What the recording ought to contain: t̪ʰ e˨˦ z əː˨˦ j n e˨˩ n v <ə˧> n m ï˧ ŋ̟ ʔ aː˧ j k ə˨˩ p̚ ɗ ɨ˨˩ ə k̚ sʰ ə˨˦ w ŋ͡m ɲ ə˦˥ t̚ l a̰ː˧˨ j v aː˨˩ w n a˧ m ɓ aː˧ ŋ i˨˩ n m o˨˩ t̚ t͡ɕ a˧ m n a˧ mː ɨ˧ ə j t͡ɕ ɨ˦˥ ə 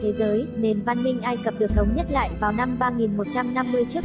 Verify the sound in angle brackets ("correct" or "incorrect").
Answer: incorrect